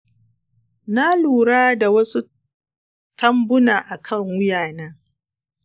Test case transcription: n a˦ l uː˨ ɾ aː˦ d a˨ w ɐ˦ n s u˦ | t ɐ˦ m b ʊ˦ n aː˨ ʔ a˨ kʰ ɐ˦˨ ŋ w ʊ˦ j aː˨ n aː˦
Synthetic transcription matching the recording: n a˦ l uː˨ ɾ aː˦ d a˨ w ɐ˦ s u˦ | t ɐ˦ m b ʊ˦ n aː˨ ʔ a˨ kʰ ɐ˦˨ ŋ w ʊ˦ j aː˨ n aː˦